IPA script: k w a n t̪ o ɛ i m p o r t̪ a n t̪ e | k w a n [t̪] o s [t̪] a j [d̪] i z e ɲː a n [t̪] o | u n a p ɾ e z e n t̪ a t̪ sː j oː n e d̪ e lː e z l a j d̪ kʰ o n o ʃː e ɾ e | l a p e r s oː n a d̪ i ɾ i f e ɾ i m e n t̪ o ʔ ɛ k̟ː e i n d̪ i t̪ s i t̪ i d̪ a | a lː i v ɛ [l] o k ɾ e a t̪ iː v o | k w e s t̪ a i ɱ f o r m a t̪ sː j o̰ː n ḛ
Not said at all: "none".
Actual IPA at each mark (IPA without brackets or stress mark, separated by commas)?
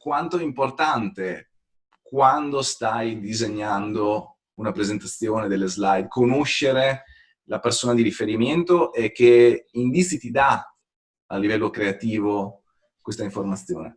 d̪, t̪, d̪, d̪, lː